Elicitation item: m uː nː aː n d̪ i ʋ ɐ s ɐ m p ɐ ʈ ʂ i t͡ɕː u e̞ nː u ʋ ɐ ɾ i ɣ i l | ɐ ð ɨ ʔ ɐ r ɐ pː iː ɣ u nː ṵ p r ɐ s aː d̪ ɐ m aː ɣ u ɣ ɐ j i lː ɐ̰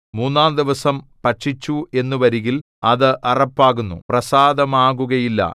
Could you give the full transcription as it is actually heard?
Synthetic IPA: m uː nː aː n d̪ i ʋ ɐ s ɐ m p ɐ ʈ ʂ i t͡ɕː u e̞ nː u ʋ ɐ ɾ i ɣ i l | ɐ ð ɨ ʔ ɐ r ɐ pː aː ɣ u nː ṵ p r ɐ s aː d̪ ɐ m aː ɣ u ɣ ɐ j i lː ɐ̰